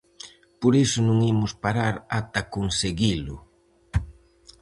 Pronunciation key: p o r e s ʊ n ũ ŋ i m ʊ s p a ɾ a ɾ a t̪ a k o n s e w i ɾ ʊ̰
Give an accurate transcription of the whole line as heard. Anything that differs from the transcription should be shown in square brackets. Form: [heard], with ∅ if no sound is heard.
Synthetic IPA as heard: p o [ɾ] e s ʊ n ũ ŋ i m ʊ s p a ɾ a ɾ a t̪ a k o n s e [ɣ] i [l] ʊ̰